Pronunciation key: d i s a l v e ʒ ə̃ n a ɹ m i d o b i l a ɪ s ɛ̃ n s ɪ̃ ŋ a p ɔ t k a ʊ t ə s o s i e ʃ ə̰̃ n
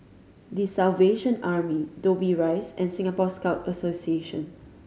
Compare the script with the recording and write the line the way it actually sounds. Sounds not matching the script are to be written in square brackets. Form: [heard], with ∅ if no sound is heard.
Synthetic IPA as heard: d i s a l v e [ʃ] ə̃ n a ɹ m i d o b i [ɹ] a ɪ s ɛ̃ n s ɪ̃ ŋ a p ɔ [s] k a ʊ t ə s o s i e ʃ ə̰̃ n